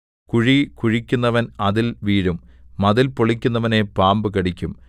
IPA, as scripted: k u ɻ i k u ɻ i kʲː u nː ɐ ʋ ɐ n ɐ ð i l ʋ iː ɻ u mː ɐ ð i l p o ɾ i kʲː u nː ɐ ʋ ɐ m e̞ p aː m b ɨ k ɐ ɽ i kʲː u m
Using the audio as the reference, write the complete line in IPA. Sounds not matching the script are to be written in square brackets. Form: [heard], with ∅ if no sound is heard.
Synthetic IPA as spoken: k u ɻ i k u ɻ i kʲː u nː ɐ ʋ ɐ n ɐ ð i l ʋ iː ɻ u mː ɐ ð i l p o [ɭ] i kʲː u nː ɐ ʋ ɐ [n] e̞ p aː m b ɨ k ɐ ɽ i kʲː u m

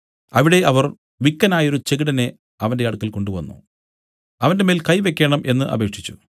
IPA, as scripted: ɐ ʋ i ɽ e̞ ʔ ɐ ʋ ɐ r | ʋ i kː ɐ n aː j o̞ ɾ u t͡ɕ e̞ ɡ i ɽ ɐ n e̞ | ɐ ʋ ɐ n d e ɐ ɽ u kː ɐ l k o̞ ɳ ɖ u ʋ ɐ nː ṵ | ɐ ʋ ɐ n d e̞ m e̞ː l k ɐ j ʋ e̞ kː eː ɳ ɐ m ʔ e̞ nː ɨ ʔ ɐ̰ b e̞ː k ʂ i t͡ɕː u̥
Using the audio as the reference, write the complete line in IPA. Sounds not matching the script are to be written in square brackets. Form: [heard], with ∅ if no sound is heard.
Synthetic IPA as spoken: ɐ ʋ i ɽ e̞ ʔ ɐ ʋ ɐ r | ʋ i kː ɐ n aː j o̞ ɾ u t͡ɕ e̞ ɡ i ɽ ɐ n e̞ | ɐ ʋ ɐ n d e ɐ ɽ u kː ɐ l k o̞ ɳ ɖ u ʋ ɐ nː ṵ | ɐ ʋ ɐ n d e̞ m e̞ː l k ɐ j ʋ e̞ kː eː ɳ ɐ m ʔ e̞ nː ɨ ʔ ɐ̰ b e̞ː k ʂ i t͡ɕː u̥

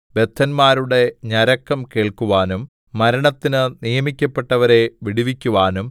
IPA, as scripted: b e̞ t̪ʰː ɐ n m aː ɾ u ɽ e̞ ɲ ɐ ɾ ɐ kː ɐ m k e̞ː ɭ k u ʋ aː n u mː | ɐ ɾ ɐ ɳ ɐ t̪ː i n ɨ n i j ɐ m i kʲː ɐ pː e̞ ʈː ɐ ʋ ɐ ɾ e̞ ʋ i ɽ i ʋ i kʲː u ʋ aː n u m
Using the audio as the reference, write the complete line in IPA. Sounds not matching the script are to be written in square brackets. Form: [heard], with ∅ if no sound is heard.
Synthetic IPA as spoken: b e̞ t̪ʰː ɐ n m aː ɾ u ɽ e̞ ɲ ɐ ɾ ɐ kː ɐ m k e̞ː ɭ k u ʋ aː n u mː | ɐ ɾ ɐ ɳ ɐ t̪ː i n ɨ n i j ɐ m i kʲː ɐ pː e̞ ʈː ɐ ʋ ɐ ɾ e̞ ʋ i ɽ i ʋ i kʲː u ʋ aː n u m

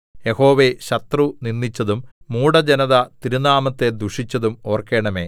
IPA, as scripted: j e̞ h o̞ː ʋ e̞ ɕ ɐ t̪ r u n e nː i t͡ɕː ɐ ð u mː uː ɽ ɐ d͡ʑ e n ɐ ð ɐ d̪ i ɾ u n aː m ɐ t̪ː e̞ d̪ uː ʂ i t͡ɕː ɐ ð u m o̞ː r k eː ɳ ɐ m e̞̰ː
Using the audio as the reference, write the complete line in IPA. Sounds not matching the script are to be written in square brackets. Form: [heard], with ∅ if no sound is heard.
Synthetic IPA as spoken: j e̞ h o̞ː ʋ e̞ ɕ ɐ t̪ r u n [i] nː i t͡ɕː ɐ ð u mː uː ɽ ɐ d͡ʑ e n ɐ ð ɐ [t̪] i ɾ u n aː m ɐ t̪ː e̞ d̪ [u] ʂ i t͡ɕː ɐ ð u m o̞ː r k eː ɳ ɐ m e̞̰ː

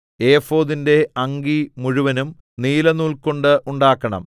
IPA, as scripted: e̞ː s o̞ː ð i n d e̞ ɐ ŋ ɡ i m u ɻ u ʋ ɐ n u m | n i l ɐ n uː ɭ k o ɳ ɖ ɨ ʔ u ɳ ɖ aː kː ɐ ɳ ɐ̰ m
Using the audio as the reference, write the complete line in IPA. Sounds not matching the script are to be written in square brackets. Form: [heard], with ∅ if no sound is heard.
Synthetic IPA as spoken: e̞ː [f] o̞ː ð i n d e̞ ɐ ŋ ɡ i m u ɻ u ʋ ɐ n u m | n [iː] l ɐ n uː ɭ k o ɳ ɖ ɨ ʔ u ɳ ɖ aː kː ɐ ɳ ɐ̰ m

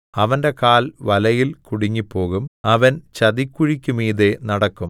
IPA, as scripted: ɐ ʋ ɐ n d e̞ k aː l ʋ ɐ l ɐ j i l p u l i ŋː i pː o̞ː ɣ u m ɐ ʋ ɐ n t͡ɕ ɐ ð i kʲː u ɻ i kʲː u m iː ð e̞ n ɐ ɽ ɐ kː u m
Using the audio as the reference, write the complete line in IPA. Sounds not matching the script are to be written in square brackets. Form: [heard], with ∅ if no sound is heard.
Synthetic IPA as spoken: ɐ ʋ ɐ n d e̞ k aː l ʋ ɐ l ɐ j i l [k] u [ɽ] i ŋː i pː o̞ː ɣ u m ɐ ʋ ɐ n t͡ɕ ɐ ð i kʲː u ɻ i kʲː u m iː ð e̞ n ɐ ɽ ɐ kː u m

